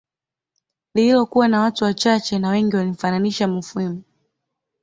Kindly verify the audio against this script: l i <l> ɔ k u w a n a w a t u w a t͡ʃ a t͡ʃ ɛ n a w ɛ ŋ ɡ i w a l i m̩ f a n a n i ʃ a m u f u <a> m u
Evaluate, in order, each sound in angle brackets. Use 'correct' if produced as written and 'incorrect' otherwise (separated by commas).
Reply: correct, incorrect